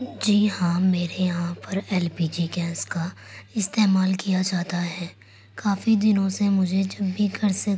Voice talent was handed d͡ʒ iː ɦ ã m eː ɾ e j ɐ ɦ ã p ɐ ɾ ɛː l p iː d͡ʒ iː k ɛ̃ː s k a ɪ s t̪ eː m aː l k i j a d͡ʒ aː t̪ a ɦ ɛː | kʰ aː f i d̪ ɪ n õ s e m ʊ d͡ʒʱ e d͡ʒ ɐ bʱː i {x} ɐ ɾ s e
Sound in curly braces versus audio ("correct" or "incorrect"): incorrect